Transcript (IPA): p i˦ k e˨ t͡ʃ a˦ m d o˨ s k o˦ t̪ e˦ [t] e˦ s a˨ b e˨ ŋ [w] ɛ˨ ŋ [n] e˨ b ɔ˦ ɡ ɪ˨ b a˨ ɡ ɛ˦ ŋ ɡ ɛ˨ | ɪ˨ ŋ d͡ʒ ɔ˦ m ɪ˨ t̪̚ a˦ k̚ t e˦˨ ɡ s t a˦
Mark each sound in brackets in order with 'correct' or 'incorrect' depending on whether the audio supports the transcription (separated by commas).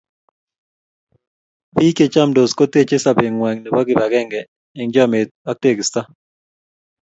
incorrect, correct, correct